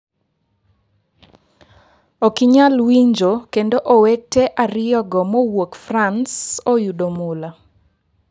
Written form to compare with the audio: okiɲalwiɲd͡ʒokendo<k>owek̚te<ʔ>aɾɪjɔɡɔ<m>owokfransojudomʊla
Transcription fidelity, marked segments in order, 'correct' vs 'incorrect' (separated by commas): incorrect, correct, correct